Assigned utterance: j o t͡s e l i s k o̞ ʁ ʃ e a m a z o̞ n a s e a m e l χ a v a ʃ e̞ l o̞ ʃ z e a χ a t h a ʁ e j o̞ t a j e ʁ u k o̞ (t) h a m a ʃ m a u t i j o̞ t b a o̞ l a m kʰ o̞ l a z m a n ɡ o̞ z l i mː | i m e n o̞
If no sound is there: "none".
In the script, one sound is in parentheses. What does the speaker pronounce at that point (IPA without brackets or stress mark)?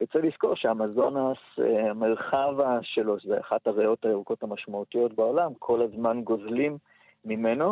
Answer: t